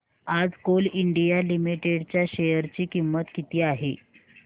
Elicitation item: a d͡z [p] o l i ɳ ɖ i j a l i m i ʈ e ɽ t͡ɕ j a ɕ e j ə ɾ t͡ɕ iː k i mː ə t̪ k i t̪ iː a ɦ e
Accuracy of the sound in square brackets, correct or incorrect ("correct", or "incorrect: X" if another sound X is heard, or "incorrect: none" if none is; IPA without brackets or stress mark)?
incorrect: k